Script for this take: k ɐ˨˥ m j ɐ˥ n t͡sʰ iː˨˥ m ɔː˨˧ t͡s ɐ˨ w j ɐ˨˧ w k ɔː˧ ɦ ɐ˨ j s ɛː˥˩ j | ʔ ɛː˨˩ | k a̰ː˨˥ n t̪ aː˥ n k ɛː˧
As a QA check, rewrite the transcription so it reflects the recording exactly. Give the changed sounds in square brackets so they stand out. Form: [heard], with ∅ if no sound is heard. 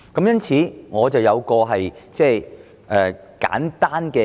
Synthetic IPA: k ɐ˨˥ m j ɐ˥ n t͡sʰ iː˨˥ [ŋ] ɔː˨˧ t͡s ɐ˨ w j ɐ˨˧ w k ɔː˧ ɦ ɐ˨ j [t͡s] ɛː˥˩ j | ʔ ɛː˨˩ | k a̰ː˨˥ n t̪ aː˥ n k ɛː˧

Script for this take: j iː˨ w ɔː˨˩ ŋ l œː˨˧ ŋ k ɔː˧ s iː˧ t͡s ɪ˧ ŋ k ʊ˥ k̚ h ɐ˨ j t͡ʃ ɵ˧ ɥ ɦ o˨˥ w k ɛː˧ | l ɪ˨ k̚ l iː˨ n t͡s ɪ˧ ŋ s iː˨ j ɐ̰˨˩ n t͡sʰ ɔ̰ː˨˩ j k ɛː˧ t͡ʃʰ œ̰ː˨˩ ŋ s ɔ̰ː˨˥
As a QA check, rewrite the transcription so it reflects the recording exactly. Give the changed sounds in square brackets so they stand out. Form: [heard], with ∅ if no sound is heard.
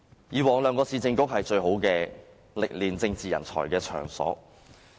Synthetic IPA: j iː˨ w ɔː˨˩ ŋ l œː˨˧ ŋ k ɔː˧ s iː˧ t͡s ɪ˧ ŋ k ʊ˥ k̚ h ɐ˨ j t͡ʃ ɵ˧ ɥ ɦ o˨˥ w k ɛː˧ | l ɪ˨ k̚ l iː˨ n t͡s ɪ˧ ŋ [t͡s] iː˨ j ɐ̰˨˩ n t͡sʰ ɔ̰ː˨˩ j k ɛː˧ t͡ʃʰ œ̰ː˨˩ ŋ s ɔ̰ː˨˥

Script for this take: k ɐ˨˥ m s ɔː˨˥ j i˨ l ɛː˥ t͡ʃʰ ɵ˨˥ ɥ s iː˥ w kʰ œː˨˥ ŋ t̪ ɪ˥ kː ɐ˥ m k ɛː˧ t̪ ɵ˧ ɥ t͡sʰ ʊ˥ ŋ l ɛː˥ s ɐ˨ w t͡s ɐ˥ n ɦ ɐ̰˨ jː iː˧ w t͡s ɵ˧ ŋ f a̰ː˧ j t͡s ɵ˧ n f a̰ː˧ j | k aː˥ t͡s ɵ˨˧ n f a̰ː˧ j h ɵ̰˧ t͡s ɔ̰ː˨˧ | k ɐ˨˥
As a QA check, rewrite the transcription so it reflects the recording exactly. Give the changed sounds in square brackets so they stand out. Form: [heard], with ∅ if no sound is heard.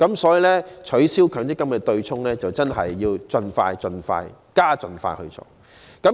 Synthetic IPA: k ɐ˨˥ m s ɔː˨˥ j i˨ l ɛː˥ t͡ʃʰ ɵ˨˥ ɥ s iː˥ w kʰ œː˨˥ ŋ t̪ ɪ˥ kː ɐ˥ m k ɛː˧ t̪ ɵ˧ ɥ t͡sʰ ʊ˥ ŋ l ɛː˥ [t͡s] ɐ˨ w t͡s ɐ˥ n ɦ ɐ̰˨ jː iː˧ w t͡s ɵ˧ [n] f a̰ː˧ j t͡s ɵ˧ n f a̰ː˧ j | k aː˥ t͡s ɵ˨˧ n f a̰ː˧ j h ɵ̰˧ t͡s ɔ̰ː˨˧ | k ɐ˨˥

